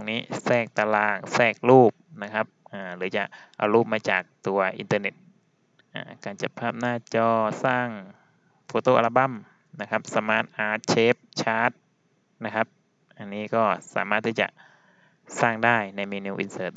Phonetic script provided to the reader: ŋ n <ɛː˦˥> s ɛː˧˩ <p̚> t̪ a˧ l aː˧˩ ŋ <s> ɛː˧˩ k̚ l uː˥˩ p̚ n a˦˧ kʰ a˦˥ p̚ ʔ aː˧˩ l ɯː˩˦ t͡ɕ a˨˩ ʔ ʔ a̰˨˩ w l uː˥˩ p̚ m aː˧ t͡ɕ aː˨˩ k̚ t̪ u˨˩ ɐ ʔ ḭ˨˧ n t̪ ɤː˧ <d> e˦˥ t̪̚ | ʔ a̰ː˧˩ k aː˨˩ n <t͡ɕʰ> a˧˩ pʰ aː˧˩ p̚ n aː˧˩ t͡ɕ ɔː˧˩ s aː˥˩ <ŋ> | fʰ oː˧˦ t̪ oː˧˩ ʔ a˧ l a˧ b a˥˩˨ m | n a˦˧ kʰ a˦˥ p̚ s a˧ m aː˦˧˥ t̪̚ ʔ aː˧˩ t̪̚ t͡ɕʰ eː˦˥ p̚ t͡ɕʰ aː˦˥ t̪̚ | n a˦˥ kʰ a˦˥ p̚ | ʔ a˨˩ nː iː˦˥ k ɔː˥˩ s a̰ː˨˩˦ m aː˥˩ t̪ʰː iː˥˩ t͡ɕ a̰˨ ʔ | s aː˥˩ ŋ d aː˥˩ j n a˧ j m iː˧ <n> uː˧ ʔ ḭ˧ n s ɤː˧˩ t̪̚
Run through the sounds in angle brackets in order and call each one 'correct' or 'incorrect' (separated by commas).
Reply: incorrect, incorrect, correct, incorrect, incorrect, correct, correct